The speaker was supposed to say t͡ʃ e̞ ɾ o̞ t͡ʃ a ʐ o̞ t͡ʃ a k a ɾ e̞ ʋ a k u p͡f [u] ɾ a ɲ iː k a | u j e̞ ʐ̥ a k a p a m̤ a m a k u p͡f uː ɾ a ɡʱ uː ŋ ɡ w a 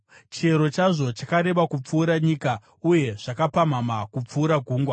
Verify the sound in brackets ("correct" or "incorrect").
incorrect